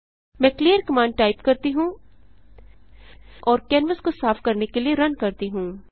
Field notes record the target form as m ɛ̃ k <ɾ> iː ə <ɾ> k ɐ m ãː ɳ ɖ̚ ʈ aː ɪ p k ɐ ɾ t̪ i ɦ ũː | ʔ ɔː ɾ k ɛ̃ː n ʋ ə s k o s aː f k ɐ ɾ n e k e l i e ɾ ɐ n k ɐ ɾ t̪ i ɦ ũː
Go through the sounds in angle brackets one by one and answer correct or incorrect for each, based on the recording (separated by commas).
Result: incorrect, correct